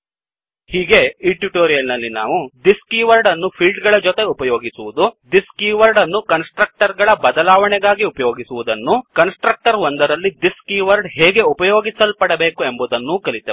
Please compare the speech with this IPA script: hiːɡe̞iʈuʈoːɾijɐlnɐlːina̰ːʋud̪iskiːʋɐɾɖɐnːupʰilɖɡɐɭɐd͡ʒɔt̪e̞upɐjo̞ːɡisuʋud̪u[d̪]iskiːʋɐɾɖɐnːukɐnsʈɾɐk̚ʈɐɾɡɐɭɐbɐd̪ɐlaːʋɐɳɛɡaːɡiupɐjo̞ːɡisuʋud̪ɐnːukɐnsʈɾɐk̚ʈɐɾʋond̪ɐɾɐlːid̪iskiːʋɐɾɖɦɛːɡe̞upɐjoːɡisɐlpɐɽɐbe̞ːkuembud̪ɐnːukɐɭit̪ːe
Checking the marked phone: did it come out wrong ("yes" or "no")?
no